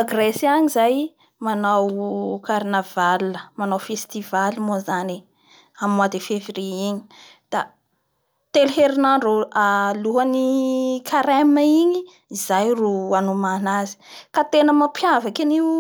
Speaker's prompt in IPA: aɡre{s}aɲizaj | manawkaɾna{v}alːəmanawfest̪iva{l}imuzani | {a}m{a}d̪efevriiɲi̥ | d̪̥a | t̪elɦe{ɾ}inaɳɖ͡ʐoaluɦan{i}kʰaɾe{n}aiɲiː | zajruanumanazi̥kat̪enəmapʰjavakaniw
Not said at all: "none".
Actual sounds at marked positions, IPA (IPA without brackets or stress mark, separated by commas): s, v, l, a, a, ɾ, i, m